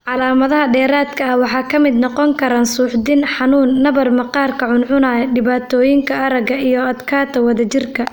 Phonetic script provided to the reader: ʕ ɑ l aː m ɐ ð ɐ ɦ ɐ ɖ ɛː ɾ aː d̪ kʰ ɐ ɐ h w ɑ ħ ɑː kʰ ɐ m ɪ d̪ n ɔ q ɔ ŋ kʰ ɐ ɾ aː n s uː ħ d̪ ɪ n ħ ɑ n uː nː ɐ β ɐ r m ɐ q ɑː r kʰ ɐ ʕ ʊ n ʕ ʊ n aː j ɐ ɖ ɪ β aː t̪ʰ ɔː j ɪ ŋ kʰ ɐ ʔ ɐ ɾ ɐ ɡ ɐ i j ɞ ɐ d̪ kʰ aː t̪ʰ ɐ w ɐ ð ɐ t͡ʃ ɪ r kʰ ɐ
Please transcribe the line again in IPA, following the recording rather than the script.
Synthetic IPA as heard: ʕ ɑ l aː m ɐ ð ɐ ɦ ɐ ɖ ɛː ɾ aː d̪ kʰ ɐ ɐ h w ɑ ħ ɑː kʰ ɐ m ɪ d̪ n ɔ q ɔ ŋ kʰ ɐ ɾ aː n s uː ħ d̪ ɪ n ħ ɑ n uː nː ɐ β ɐ r m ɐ q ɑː r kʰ ɐ ʕ ʊ n ʕ ʊ n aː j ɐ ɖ ɪ β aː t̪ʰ ɔː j ɪ ŋ kʰ ɐ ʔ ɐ ɾ ɐ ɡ ɐ i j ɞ ɐ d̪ kʰ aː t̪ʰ ɐ w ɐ ð ɐ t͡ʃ ɪ r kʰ ɐ